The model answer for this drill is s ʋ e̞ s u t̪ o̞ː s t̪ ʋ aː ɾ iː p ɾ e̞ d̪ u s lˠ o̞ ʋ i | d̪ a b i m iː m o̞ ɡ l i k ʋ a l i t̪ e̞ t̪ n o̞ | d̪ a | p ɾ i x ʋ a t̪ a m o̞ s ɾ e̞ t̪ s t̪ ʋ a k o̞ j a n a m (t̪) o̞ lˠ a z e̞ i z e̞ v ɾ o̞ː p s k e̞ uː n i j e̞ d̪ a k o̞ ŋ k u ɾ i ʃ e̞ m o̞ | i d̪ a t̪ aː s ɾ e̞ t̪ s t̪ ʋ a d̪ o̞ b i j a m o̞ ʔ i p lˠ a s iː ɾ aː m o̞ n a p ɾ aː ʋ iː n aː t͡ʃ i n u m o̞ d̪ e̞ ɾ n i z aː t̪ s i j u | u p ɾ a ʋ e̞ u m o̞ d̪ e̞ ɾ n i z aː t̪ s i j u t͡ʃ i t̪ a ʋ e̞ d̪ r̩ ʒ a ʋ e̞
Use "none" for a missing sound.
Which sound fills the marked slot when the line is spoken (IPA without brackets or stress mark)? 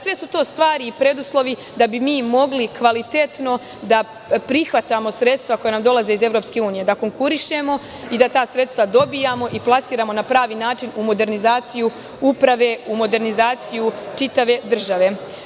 d̪